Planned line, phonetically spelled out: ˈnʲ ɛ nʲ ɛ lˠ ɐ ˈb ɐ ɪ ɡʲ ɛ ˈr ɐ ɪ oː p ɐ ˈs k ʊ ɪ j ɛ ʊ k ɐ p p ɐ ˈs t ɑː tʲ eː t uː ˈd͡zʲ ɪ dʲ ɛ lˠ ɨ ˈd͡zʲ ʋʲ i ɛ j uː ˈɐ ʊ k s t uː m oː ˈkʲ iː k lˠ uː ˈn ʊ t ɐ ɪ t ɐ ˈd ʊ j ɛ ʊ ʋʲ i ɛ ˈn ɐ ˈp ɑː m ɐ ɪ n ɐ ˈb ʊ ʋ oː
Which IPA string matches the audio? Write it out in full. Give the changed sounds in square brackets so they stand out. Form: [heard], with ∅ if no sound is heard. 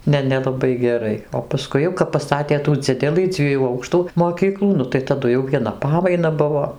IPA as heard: ˈnʲ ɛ nʲ ɛ lˠ ɐ ˈb ɐ ɪ ɡʲ ɛ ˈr ɐ ɪ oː p ɐ ˈs k ʊ ɪ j ɛ ʊ k ɐ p p ɐ ˈs t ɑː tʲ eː t uː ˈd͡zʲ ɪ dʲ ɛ lˠ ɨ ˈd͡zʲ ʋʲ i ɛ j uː ˈɐ ʊ k [ʃ] t uː m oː ˈkʲ iː k lˠ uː ˈn ʊ t ɐ ɪ t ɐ ˈd ʊ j ɛ ʊ ʋʲ i ɛ ˈn ɐ ˈp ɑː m ɐ ɪ n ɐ ˈb ʊ ʋ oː